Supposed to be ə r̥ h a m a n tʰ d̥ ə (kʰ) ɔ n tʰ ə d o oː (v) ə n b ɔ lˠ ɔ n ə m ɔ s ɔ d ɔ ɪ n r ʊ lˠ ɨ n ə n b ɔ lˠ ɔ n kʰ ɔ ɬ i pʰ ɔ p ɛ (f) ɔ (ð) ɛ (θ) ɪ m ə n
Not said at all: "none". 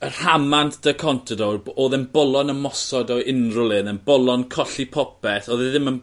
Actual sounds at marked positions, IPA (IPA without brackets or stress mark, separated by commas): kʰ, ð, θ, ð, ð